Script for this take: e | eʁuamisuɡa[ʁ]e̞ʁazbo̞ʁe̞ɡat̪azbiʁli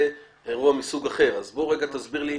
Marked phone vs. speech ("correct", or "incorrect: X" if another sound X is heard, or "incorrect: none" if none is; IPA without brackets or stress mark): incorrect: χ